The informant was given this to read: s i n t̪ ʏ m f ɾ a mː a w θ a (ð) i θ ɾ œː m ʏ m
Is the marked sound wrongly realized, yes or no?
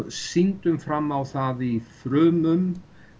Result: no